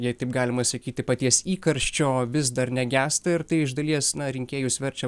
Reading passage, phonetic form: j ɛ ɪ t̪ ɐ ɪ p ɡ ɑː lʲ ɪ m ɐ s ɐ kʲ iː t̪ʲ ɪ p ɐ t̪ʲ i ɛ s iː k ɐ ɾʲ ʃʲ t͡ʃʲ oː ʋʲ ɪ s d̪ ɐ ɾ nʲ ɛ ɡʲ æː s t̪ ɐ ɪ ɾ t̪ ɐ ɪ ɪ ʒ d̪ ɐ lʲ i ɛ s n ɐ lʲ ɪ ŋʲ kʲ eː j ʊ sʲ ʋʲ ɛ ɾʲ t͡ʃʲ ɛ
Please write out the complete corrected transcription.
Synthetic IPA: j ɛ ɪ t̪ ɐ ɪ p ɡ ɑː lʲ ɪ m ɐ s ɐ kʲ iː t̪ʲ ɪ p ɐ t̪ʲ i ɛ s iː k ɐ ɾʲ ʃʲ t͡ʃʲ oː ʋʲ ɪ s d̪ ɐ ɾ nʲ ɛ ɡʲ æː s t̪ ɐ ɪ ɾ t̪ ɐ ɪ ɪ ʒ d̪ ɐ lʲ i ɛ s n ɐ ɾʲ ɪ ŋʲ kʲ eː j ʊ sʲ ʋʲ ɛ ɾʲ t͡ʃʲ ɛ